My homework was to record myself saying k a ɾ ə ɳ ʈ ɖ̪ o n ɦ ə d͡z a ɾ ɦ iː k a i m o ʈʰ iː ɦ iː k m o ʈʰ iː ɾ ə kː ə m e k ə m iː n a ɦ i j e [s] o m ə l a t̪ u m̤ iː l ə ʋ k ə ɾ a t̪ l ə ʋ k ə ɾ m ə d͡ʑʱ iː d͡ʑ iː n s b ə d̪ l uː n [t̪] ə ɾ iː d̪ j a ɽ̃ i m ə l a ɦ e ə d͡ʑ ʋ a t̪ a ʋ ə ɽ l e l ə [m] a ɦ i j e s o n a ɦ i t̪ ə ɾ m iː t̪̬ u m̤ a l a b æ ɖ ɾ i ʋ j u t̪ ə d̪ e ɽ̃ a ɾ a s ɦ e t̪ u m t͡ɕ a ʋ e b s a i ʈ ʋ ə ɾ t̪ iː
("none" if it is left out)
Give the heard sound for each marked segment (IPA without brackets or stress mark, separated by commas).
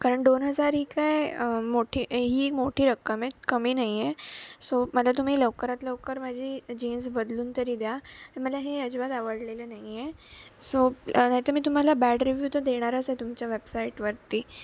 s, t̪, n